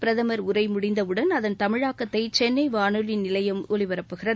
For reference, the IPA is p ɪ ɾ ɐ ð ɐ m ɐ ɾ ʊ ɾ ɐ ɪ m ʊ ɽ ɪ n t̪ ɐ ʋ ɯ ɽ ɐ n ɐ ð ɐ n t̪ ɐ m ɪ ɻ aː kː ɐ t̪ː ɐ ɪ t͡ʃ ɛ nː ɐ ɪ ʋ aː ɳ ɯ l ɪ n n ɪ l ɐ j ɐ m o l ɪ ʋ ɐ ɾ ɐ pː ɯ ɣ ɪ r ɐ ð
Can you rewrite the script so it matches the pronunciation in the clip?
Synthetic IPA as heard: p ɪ ɾ ɐ ð ɐ m ɐ ɾ ʊ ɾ ɐ ɪ m ʊ ɽ ɪ n d̪ ɐ ʋ ɯ ɽ ɐ n ɐ ð ɐ n t̪ ɐ m ɪ ɻ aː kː ɐ t̪ː ɐ ɪ t͡ʃ ɛ nː ɐ ɪ ʋ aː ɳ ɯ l ɪ n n ɪ l ɐ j ɐ m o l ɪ ʋ ɐ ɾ ɐ pː ɯ ɣ ɪ r ɐ ð